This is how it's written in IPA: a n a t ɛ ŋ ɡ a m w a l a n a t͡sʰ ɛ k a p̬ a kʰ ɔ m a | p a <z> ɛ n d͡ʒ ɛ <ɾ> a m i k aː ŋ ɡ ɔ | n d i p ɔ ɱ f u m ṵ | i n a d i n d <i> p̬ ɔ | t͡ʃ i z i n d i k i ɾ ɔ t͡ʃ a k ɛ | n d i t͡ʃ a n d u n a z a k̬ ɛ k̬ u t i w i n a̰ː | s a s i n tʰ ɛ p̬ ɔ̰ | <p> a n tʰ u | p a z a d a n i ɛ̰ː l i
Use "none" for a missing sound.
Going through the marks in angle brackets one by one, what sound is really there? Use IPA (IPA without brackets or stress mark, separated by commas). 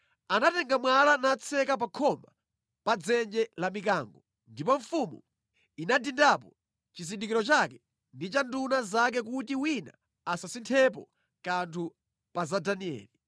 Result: d͡z, l, a, k